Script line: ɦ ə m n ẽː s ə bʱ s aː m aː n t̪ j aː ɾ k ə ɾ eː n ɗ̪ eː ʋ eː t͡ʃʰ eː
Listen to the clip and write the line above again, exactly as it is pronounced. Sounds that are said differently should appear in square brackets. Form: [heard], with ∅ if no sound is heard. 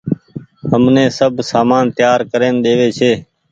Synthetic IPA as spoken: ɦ ə m n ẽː s ə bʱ s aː m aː n t̪ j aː ɾ k ə ɾ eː n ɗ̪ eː ʋ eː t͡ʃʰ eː